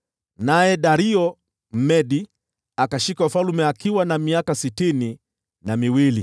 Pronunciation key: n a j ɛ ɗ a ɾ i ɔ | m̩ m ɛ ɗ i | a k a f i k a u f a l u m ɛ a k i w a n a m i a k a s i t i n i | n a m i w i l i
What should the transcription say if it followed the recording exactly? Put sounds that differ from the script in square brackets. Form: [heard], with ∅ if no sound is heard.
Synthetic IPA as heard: n a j ɛ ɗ a ɾ i ɔ | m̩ m ɛ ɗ i | a k a [ʃ] i k a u f a l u m ɛ a k i w a n a m i a k a s i t i n i | n a m i w i l i

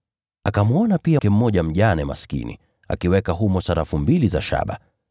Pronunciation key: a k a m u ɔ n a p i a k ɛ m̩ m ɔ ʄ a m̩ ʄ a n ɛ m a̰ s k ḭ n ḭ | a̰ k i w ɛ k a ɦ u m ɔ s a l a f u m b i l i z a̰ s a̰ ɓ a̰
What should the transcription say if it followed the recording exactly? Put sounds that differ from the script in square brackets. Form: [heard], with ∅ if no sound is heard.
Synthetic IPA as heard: a k a m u ɔ n a p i a k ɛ m̩ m ɔ ʄ a m̩ ʄ a n ɛ m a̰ s k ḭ n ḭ | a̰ k i w ɛ k a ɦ u m ɔ s a [ɾ] a f u m b i l i z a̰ [ʃ] a̰ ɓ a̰

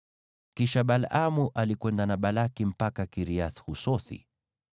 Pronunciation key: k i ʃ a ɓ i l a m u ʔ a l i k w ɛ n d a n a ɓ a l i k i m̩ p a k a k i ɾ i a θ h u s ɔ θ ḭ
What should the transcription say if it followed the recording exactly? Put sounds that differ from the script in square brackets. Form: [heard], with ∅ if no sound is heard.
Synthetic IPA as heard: k i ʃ a ɓ [a] l a m u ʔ a l i k w ɛ n d a n a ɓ a l [a] k i m̩ p a k a k i ɾ i a θ h u s ɔ θ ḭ

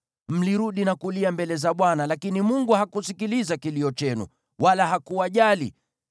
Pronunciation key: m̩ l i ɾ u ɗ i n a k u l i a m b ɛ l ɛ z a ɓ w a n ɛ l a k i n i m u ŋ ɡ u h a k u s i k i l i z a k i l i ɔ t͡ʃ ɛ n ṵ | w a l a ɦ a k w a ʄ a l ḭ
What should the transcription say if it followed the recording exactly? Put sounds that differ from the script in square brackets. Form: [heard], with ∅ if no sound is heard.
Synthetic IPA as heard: m̩ l i ɾ u ɗ i n a k u l i a m b ɛ l ɛ z a ɓ w a n [a] l a k i n i m u ŋ ɡ u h a k u s i k i l i z a k i l i ɔ t͡ʃ ɛ n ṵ | w a l a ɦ a k [u] a ʄ a l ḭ

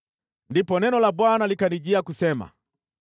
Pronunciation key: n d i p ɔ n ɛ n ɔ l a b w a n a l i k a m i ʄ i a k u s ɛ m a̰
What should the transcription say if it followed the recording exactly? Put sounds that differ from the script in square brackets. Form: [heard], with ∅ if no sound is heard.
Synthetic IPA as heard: n d i p ɔ n ɛ n ɔ l a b w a n a l i k a [n] i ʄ i a k u s ɛ m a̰

